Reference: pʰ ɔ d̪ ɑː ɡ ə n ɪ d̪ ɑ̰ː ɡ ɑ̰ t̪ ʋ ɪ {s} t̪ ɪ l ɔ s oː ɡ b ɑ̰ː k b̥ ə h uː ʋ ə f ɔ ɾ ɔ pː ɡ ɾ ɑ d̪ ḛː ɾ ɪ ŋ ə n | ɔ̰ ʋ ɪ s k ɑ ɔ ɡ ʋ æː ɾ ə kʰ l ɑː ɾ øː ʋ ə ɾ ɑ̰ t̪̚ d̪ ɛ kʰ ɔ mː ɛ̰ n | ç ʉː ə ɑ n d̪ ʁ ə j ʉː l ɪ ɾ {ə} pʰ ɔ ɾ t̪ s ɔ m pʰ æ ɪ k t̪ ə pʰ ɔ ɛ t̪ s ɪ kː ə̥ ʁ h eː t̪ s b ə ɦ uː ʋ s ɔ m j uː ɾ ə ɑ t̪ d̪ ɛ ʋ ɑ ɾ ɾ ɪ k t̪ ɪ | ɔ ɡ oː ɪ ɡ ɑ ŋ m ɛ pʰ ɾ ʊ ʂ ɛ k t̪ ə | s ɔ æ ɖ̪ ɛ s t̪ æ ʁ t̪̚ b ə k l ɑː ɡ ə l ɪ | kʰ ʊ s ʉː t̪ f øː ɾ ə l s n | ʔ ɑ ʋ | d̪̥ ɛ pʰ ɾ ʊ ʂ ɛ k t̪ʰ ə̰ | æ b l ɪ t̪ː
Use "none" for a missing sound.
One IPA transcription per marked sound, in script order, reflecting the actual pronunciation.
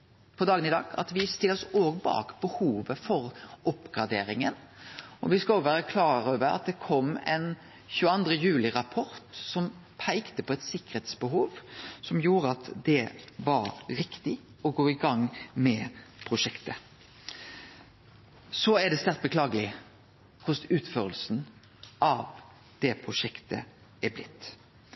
s, ɑ

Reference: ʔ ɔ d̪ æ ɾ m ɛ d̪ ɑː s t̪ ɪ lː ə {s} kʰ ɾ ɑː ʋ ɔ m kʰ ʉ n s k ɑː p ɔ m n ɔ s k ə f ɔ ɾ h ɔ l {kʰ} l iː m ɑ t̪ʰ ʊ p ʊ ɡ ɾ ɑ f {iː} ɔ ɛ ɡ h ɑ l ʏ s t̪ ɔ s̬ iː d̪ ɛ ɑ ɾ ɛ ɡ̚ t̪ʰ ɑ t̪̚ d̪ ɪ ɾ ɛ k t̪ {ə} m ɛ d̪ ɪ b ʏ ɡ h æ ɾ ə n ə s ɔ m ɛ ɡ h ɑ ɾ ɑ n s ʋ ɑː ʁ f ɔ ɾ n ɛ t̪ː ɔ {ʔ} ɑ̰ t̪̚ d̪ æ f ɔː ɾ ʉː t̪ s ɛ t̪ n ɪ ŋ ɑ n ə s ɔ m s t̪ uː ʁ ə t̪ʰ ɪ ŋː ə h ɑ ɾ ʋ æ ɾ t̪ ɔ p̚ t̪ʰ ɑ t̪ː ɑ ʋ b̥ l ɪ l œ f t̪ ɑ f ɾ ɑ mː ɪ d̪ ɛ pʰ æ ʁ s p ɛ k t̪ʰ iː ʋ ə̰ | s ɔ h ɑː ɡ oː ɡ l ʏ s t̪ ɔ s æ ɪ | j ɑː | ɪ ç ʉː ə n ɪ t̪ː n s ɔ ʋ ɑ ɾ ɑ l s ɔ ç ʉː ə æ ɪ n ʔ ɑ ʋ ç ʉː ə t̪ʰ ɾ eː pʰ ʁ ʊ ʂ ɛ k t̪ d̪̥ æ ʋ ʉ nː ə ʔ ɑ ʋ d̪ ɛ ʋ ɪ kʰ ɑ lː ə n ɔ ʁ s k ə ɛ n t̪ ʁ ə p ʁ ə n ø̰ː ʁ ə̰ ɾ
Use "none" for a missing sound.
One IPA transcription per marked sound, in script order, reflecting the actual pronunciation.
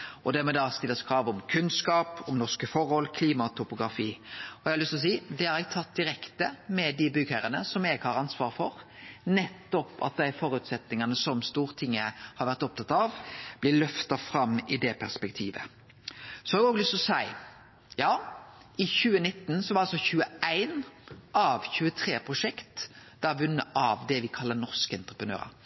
s, kʰ, iː, ə, p

